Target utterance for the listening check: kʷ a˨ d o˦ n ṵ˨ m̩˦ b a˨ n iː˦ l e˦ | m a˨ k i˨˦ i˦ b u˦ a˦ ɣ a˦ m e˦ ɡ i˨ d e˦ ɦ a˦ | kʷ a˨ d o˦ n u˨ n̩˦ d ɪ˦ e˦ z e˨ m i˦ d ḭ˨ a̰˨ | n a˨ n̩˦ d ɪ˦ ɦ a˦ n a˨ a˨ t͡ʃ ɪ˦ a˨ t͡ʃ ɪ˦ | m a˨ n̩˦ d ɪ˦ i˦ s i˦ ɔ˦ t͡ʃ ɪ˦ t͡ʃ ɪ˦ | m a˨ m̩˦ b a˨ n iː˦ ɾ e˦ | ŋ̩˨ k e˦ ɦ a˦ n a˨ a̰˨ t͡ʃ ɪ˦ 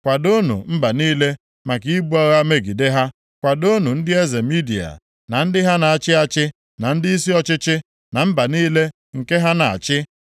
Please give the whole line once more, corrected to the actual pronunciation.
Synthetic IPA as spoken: kʷ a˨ d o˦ n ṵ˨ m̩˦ b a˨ n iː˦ l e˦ | m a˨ k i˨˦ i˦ b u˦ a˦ ɣ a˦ m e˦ ɡ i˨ d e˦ ɦ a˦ | kʷ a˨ d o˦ n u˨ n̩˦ d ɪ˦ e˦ z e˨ m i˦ d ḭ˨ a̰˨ | n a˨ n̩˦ d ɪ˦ ɦ a˦ n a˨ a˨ t͡ʃ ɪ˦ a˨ t͡ʃ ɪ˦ | n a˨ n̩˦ d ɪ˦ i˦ s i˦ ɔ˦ t͡ʃ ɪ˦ t͡ʃ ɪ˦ | n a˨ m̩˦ b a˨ n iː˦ l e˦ | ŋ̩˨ k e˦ ɦ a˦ n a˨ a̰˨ t͡ʃ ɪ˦